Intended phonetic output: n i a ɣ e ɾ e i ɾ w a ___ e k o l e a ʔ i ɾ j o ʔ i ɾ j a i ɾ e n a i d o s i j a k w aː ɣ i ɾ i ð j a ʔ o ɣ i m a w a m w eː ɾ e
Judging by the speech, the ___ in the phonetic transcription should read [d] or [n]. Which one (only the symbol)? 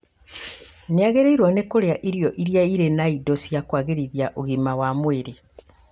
n